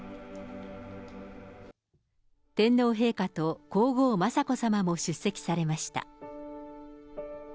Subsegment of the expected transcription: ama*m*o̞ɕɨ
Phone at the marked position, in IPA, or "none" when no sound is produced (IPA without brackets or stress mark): m